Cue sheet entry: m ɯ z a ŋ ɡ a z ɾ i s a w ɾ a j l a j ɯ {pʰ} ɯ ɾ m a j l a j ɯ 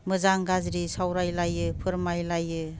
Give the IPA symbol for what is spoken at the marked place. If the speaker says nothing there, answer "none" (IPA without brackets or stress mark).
pʰ